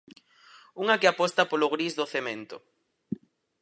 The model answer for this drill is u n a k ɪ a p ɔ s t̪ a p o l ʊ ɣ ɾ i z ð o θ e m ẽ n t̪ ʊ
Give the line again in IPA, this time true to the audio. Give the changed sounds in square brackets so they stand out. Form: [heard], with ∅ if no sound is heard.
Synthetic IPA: u [ŋ] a k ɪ a p ɔ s t̪ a p o l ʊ ɣ ɾ i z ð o θ e m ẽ n t̪ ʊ